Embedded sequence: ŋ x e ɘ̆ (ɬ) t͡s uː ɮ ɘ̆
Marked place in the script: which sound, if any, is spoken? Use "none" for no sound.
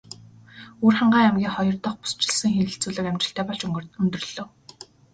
ɬ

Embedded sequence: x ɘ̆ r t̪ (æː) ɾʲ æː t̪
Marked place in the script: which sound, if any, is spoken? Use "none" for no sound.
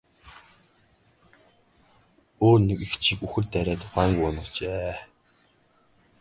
æ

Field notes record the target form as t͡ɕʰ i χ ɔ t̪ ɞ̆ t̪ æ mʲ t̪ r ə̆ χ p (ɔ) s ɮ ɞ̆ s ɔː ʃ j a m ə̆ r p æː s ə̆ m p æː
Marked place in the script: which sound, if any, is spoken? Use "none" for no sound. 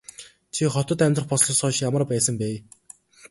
ɔ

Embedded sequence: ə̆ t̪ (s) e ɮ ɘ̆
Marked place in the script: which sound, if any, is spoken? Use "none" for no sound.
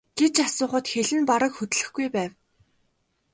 x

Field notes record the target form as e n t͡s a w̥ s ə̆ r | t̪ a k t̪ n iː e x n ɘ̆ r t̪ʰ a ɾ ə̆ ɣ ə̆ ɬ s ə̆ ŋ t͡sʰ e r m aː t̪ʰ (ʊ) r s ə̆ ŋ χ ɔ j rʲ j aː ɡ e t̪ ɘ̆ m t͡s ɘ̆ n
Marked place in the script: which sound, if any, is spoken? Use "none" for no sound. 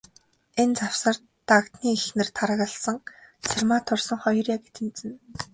ʊ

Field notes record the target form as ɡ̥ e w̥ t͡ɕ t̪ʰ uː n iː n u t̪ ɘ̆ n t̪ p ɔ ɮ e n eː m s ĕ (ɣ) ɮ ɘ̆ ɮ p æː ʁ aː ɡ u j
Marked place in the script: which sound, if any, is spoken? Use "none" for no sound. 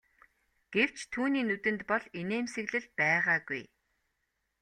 ɣ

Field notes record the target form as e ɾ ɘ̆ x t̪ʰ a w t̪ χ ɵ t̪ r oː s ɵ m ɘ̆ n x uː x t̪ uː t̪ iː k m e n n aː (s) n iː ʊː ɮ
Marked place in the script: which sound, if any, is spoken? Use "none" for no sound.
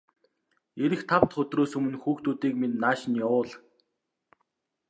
ʃ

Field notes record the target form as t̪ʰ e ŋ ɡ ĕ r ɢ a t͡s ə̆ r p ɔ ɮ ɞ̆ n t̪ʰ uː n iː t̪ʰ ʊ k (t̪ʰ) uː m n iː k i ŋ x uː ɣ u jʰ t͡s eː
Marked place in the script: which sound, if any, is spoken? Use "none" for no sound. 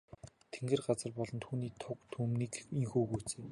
t̪ʰ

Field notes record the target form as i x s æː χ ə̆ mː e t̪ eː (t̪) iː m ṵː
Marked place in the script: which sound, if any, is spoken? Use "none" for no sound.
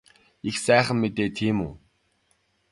t̪ʰ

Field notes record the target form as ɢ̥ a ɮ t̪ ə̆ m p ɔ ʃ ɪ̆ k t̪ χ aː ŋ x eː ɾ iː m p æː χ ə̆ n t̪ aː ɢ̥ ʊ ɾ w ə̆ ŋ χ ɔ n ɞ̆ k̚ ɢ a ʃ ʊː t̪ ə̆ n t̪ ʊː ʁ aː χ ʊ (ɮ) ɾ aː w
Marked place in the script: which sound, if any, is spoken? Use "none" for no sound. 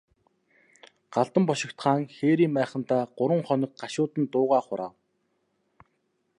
none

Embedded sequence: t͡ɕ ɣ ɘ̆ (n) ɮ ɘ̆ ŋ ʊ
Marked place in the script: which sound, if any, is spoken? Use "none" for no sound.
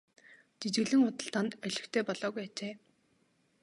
none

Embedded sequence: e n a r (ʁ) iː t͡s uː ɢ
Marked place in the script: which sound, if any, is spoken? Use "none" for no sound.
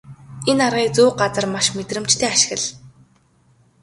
ʁ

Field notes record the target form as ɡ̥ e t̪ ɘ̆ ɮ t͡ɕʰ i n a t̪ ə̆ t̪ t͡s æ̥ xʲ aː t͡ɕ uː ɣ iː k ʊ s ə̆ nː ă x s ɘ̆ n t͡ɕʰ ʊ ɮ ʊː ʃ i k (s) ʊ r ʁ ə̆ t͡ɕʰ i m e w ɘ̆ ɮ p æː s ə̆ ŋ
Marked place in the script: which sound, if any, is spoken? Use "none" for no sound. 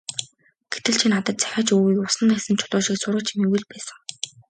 s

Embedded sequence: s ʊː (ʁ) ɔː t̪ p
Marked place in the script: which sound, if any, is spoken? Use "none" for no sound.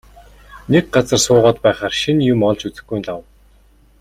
ʁ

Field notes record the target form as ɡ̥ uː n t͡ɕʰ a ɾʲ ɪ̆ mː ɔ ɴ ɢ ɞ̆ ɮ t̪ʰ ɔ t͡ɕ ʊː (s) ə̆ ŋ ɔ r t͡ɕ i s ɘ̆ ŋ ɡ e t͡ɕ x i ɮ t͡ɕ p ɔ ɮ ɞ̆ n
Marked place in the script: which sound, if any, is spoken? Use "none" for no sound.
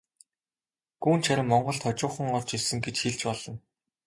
χ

